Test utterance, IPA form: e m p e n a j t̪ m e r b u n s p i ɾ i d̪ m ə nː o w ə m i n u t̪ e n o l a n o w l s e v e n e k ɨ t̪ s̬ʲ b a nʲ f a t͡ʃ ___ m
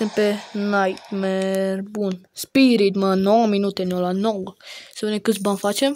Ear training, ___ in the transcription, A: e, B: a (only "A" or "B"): A